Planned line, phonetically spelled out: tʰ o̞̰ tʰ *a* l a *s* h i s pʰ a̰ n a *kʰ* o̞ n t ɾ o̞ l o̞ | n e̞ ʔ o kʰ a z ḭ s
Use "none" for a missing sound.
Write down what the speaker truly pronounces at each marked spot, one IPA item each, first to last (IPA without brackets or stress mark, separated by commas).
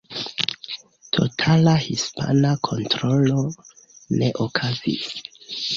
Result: a, none, kʰ